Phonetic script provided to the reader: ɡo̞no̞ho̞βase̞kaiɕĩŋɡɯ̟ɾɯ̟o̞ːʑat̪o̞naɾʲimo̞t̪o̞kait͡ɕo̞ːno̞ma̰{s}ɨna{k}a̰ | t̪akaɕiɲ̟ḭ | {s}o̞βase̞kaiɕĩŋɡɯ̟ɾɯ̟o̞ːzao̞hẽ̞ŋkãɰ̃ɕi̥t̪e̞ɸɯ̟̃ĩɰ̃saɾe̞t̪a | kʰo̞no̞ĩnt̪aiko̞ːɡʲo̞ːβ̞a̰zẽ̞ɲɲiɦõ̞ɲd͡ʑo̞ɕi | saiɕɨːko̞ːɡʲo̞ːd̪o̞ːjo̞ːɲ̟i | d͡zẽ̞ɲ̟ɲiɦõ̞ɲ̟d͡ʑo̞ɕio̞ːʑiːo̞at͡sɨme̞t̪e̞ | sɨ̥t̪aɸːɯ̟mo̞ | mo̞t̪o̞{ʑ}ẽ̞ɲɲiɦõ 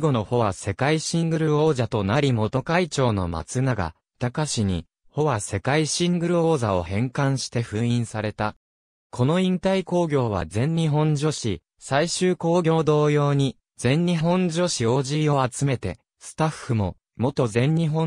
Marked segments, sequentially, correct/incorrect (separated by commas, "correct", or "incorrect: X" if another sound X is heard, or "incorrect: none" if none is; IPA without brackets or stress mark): incorrect: t͡s, incorrect: ɡ, incorrect: h, incorrect: z